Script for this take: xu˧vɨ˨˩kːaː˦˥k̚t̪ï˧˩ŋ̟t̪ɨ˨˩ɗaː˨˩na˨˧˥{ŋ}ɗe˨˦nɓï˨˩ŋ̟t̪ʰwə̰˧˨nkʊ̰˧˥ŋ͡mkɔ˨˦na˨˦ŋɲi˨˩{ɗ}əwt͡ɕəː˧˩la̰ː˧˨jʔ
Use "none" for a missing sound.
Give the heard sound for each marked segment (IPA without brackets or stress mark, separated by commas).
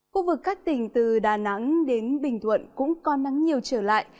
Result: ŋ, none